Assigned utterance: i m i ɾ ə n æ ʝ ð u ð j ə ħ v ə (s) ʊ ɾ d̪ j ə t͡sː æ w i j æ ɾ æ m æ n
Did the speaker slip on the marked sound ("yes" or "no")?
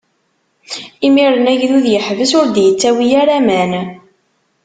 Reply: no